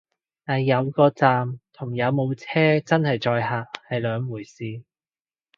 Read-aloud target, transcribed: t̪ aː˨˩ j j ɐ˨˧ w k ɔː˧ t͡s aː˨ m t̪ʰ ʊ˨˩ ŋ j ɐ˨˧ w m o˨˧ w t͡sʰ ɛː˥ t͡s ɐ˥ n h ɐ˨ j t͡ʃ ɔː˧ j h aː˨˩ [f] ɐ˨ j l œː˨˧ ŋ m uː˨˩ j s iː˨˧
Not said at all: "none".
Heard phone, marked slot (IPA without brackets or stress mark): h